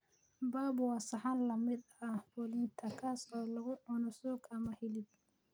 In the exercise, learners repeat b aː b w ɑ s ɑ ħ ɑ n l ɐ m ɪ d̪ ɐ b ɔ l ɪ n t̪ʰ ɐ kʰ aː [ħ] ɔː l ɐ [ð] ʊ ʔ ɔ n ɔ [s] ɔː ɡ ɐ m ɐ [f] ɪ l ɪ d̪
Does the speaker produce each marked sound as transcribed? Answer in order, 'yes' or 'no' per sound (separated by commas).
no, no, yes, no